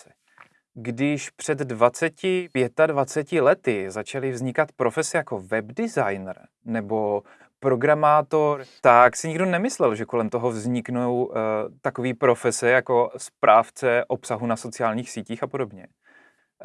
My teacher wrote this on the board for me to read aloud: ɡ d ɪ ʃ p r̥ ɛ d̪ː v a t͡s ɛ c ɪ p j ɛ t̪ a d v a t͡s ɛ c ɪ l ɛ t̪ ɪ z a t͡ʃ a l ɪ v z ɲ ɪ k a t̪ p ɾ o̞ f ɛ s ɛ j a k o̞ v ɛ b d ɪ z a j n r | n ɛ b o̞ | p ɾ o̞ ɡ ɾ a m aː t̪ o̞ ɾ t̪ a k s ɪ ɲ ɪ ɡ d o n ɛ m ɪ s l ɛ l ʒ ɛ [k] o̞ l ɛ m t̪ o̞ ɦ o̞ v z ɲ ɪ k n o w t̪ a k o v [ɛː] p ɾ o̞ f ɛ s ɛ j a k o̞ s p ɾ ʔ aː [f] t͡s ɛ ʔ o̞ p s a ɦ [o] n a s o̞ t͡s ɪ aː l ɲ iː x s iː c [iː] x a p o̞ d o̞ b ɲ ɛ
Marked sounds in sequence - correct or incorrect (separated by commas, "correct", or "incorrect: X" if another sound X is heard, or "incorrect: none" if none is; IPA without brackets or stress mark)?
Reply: correct, incorrect: iː, correct, incorrect: u, correct